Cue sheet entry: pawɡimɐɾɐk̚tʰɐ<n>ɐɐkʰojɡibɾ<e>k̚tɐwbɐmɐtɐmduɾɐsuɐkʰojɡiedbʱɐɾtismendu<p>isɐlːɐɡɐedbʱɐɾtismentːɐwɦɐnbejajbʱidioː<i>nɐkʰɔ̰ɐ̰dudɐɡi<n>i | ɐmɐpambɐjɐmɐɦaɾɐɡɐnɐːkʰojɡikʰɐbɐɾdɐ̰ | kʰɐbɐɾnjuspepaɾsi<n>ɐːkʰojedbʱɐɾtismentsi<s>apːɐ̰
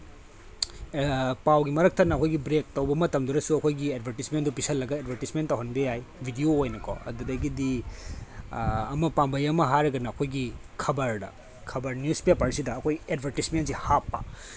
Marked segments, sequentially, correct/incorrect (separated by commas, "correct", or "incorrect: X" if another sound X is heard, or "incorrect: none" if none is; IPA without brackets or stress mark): correct, correct, correct, incorrect: j, incorrect: d, incorrect: d, incorrect: h